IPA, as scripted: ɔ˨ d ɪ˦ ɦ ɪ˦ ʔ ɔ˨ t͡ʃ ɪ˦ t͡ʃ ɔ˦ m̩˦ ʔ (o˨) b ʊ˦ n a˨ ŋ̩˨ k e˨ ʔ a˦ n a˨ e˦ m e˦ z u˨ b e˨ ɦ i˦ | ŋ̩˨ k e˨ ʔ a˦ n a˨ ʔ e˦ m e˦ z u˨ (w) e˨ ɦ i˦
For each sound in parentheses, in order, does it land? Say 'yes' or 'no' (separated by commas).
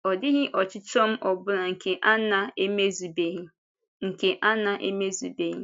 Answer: no, no